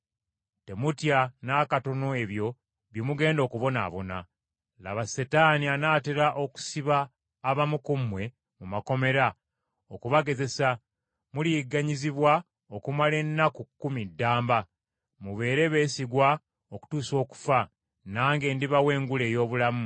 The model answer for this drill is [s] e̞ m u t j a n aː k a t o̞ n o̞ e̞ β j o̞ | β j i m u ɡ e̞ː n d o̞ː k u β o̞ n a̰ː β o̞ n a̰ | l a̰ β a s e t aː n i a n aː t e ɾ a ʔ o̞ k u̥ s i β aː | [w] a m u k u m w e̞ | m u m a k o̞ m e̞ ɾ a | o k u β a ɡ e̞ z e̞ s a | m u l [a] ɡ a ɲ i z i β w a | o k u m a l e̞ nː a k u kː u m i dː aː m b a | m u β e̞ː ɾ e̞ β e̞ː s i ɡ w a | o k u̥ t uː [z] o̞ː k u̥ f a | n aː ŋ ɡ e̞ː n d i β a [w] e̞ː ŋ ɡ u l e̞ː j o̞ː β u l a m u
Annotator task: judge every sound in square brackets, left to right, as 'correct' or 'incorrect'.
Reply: incorrect: t, incorrect: β, incorrect: i, incorrect: s, correct

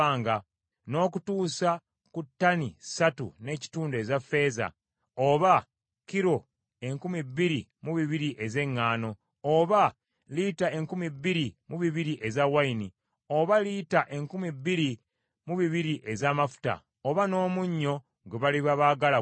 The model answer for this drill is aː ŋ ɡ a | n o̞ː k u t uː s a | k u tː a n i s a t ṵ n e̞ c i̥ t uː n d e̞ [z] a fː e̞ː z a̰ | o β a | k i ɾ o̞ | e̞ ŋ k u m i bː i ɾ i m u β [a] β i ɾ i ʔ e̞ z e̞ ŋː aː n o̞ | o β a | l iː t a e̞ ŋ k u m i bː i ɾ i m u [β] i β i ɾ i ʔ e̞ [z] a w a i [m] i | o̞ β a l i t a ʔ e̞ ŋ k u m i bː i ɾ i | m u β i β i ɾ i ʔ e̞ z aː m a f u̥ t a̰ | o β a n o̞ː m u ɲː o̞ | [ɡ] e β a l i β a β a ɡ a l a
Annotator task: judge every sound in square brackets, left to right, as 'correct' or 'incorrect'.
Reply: correct, incorrect: i, correct, correct, incorrect: n, correct

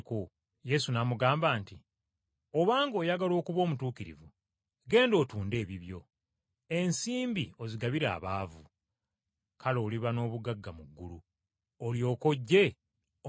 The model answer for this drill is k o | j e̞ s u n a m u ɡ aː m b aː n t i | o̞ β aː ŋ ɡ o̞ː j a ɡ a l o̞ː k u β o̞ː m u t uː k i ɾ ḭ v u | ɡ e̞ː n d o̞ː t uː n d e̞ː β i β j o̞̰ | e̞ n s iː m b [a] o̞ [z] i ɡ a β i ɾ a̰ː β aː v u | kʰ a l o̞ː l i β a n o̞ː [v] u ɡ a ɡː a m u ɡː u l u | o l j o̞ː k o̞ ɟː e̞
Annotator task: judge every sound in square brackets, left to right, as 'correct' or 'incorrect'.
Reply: incorrect: i, correct, incorrect: β

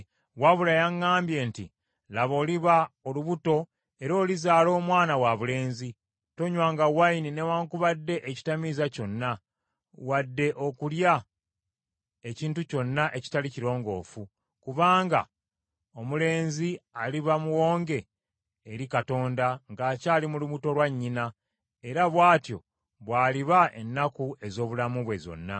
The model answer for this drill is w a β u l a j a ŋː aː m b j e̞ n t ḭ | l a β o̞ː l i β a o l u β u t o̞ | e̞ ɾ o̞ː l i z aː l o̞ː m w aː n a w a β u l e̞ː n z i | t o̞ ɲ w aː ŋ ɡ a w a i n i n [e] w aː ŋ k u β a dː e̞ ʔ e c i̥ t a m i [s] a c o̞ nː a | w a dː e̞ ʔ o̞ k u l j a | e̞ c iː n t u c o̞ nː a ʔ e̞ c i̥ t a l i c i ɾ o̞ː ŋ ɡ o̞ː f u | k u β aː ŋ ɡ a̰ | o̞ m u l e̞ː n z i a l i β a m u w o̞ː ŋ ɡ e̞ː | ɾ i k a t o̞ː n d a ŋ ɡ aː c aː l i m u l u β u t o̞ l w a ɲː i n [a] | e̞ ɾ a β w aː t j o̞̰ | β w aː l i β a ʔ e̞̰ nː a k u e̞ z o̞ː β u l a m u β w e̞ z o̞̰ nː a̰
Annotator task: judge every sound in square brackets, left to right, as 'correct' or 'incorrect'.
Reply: correct, incorrect: z, correct

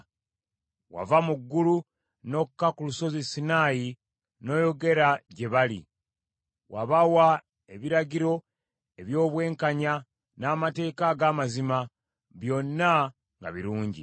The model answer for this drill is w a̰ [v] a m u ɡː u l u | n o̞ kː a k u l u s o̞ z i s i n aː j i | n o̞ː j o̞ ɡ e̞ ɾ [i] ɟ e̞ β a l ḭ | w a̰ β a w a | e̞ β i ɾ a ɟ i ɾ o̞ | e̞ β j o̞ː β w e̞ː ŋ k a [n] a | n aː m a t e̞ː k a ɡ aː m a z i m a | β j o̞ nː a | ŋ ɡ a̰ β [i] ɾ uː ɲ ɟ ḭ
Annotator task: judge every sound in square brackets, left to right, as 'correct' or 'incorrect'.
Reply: correct, incorrect: a, incorrect: ɲ, correct

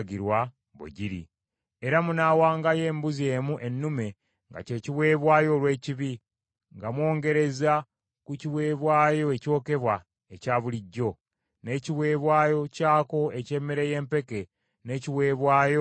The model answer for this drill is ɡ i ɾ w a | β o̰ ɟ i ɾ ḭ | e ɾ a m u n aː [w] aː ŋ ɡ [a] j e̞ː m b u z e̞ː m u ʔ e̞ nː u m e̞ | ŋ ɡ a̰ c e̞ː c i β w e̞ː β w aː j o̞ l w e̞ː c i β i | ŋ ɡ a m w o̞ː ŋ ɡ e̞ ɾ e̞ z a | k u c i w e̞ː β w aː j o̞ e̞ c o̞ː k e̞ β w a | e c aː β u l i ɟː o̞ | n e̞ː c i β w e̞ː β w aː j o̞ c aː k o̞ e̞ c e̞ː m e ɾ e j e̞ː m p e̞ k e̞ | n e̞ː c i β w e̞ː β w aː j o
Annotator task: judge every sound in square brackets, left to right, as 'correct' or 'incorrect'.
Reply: correct, correct

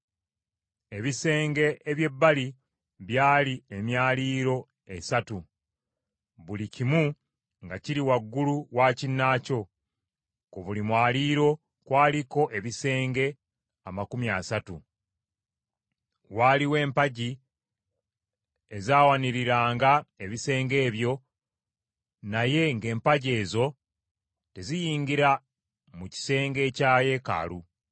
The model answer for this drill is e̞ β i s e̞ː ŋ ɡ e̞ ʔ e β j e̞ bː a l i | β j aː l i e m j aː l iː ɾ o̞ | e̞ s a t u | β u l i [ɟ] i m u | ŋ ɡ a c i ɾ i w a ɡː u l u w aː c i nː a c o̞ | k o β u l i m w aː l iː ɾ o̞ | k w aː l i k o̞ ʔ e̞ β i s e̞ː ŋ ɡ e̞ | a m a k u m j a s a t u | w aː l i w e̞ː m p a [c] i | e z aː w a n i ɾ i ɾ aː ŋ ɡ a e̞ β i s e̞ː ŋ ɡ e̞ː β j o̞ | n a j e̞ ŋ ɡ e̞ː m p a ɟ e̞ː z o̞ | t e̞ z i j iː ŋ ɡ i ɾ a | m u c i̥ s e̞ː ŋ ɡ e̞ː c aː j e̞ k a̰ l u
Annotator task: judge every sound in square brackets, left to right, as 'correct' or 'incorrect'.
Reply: incorrect: c, incorrect: ɟ

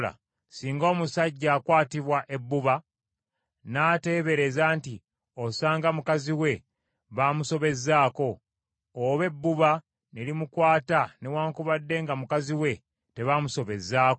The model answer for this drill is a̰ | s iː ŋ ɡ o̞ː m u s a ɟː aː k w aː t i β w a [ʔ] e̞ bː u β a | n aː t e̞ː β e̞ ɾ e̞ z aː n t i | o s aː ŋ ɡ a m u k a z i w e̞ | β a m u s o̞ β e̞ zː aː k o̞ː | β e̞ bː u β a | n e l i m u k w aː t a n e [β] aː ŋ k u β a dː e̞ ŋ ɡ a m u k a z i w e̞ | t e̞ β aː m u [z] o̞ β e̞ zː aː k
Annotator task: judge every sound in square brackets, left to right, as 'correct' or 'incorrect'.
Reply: correct, incorrect: w, incorrect: s

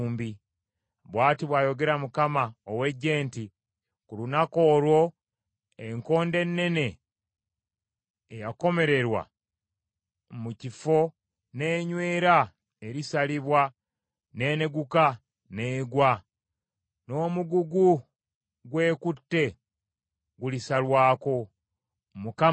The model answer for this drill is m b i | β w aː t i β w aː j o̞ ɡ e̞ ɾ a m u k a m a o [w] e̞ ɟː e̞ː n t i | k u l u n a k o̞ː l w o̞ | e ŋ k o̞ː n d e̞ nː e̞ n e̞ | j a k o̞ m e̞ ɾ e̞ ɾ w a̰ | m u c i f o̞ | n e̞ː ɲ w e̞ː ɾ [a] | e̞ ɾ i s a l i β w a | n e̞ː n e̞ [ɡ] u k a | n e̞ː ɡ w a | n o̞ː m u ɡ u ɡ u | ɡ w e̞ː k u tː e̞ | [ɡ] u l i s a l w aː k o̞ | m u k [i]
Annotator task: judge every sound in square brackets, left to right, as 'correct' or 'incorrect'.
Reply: correct, correct, correct, correct, incorrect: a

